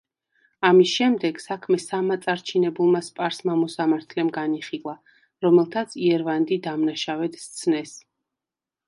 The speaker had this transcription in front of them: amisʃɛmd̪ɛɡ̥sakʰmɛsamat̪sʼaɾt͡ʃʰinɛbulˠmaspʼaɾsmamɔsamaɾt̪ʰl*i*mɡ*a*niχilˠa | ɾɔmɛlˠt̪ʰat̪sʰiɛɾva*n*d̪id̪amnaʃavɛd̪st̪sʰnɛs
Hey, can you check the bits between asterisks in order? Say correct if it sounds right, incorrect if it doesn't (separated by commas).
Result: incorrect, correct, correct